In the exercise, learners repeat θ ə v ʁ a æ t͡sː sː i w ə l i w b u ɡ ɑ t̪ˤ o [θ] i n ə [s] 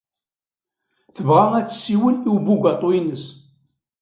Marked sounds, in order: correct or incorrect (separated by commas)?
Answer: incorrect, correct